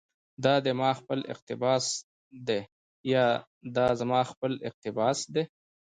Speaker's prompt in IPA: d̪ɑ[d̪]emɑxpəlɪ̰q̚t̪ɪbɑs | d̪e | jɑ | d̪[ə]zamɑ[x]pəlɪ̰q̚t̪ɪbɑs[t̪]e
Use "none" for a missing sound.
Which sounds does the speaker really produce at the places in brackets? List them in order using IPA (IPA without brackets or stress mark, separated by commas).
d̪, ɑ, x, d̪